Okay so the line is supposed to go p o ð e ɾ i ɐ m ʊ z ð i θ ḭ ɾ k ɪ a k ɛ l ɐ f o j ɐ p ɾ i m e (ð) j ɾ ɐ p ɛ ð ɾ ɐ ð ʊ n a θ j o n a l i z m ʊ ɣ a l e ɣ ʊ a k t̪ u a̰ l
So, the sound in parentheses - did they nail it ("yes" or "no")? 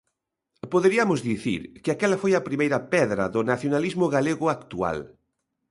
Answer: no